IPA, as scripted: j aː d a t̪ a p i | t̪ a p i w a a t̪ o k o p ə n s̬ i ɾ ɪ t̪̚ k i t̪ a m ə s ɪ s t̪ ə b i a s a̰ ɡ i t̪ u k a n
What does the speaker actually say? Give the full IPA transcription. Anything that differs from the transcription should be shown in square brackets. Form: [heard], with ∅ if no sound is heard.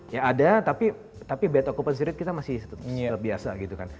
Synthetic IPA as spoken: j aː d a t̪ a p i | t̪ a p i [b] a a t̪ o k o p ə n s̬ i ɾ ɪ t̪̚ k i t̪ a m [a] s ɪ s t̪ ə b i a s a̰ ɡ i t̪ u k a n